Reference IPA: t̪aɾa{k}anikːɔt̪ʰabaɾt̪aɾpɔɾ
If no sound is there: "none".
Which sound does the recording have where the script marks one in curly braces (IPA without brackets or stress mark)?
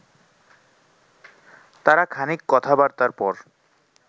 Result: kʰ